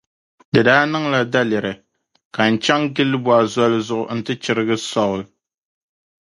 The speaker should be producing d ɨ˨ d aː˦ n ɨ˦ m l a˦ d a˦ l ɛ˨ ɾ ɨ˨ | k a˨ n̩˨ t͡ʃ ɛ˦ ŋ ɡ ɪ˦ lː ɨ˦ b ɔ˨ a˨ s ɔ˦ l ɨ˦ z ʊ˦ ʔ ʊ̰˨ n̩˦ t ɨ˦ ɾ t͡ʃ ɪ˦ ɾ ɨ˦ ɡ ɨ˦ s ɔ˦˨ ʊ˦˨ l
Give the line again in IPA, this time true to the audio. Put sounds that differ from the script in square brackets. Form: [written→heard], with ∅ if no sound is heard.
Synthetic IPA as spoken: d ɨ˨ d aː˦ n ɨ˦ [m→ŋ] l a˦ d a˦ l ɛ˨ ɾ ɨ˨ | k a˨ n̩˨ t͡ʃ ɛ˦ ŋ ɡ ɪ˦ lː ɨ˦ b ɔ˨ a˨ [s→z] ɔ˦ l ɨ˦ z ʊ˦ ʔ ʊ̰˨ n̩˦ t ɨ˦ [ɾ→∅] t͡ʃ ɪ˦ ɾ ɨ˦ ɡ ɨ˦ s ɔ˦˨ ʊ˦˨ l